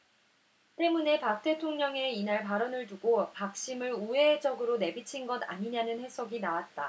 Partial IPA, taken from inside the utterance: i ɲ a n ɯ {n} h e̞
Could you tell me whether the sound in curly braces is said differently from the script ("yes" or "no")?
no